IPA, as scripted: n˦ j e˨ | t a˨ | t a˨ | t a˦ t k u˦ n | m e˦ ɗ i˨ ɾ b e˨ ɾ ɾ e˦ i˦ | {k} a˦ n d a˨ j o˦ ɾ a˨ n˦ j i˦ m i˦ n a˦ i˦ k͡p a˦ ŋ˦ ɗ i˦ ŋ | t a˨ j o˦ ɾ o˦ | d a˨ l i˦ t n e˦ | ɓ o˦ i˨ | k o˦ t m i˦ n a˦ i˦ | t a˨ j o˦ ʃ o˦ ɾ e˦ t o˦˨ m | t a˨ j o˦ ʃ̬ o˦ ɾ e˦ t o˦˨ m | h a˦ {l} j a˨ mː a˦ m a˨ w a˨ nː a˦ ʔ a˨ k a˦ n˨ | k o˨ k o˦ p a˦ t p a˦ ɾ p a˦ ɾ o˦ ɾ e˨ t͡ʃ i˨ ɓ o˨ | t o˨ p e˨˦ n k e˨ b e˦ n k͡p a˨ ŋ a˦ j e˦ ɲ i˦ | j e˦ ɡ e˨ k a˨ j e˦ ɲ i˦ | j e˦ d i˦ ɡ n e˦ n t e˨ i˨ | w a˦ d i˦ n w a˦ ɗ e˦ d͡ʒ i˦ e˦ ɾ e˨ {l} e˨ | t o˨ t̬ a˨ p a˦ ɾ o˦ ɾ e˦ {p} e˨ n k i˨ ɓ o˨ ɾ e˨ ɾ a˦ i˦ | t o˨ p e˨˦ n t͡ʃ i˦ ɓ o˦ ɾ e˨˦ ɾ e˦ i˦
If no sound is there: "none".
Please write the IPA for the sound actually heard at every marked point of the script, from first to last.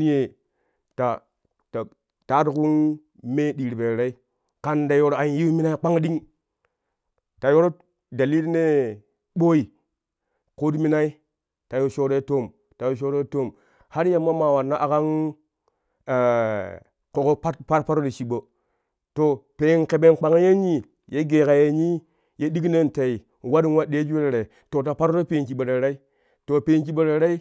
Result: k, ɾ, ɾ, p

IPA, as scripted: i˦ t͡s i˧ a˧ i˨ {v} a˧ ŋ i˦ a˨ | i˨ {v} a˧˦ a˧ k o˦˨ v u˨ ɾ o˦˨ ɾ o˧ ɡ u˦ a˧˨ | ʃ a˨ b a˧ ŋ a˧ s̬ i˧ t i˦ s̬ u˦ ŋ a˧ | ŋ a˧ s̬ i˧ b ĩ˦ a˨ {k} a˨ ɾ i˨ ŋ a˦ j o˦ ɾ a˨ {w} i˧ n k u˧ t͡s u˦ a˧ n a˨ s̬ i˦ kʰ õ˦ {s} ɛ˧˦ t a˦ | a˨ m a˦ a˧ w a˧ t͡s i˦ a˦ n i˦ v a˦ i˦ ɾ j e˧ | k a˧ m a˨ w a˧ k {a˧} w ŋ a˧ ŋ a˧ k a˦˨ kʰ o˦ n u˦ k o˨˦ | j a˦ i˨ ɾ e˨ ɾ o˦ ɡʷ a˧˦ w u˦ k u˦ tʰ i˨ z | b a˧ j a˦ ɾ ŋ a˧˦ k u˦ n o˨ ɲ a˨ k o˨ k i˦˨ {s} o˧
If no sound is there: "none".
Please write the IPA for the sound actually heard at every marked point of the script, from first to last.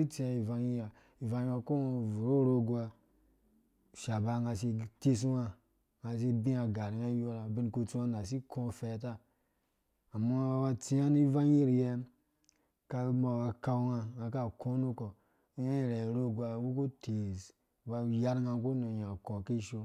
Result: v, v, ɡ, b, f, a˧, ʃ

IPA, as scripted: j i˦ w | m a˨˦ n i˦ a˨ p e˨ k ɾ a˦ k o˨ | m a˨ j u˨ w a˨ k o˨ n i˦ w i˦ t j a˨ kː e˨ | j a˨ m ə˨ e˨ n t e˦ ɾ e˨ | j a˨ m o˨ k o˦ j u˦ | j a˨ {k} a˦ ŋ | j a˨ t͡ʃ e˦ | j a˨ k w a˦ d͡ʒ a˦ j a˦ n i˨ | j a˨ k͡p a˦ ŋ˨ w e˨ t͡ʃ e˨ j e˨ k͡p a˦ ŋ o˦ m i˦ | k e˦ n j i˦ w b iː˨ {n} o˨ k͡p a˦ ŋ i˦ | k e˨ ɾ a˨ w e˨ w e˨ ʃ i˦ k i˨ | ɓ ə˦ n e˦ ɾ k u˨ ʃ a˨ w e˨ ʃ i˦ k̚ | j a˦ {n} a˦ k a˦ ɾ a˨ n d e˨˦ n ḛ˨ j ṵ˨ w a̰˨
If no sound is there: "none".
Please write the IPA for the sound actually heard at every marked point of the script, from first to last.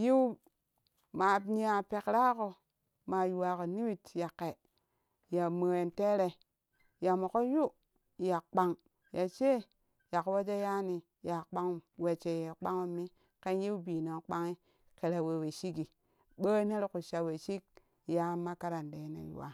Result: k͡p, n, m

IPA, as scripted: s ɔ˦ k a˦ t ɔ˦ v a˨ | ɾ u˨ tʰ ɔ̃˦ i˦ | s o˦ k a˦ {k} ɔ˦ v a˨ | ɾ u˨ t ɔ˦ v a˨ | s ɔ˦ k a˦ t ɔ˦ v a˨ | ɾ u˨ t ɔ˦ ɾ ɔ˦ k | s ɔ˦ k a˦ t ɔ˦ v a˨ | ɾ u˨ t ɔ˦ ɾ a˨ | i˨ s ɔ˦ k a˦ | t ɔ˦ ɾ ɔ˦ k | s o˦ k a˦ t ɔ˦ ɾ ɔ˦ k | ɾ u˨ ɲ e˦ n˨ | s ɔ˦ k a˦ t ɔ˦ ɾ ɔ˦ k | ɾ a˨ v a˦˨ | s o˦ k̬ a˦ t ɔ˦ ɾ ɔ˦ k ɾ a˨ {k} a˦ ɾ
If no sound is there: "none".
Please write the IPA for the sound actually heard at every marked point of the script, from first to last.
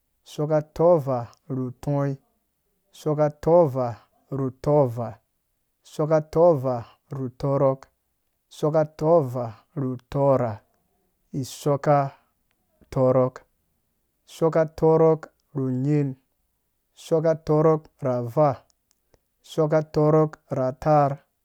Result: t, t

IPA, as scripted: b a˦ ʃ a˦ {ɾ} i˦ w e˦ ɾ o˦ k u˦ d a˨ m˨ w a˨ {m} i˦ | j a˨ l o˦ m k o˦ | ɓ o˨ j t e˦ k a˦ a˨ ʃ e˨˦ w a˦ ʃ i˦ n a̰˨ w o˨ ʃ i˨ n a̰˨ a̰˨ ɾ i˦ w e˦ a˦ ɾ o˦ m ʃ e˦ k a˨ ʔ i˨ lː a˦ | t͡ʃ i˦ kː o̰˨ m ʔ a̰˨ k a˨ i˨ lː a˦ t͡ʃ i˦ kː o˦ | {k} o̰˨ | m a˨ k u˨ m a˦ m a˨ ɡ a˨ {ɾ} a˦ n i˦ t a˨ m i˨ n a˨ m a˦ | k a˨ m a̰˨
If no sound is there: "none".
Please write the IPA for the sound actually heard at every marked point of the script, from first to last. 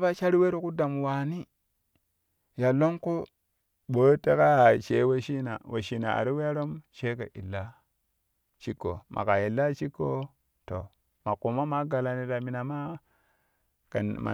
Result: ɾ, n, t, l

